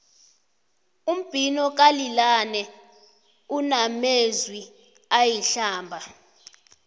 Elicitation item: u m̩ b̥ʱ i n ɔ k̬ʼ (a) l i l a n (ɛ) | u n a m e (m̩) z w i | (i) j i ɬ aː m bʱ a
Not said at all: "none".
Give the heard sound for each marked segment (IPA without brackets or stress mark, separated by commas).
a, ɛ, none, a